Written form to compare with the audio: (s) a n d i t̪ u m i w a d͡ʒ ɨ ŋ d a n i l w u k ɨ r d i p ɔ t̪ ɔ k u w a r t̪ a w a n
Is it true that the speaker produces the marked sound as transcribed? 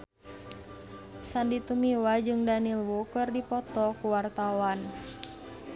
yes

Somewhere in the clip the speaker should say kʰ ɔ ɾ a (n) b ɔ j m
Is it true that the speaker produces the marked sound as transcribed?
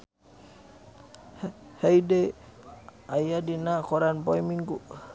yes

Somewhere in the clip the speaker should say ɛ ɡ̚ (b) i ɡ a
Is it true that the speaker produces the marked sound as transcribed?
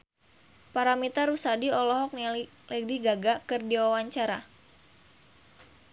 no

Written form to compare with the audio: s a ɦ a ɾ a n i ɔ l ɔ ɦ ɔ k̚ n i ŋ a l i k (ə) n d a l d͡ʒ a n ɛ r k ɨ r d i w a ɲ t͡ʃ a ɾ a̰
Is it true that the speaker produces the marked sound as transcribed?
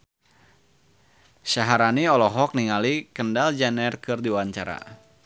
yes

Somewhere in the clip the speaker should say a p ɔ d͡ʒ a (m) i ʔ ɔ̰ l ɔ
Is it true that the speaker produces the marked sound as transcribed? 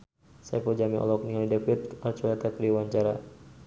yes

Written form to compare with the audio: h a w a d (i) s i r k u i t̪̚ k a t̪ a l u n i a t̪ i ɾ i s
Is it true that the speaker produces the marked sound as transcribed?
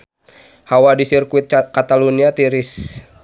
yes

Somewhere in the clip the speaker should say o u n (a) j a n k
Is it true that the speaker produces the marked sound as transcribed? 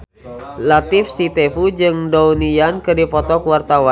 no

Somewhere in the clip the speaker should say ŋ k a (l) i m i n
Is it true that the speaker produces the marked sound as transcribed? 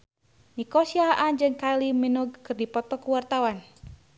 yes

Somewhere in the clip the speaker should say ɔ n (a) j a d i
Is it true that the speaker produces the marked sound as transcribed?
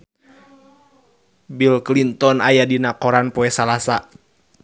yes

